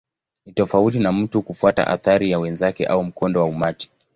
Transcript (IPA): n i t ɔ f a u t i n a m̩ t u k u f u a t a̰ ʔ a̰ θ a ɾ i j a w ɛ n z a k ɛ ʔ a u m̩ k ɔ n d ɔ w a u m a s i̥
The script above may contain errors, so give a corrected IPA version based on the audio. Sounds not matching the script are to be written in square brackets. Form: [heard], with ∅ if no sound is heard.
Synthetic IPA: n i t ɔ f a u t i n a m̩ t u k u f u a t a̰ ʔ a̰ θ a ɾ i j a w ɛ n z a k ɛ ʔ a u m̩ k ɔ n d ɔ w a u m a [t] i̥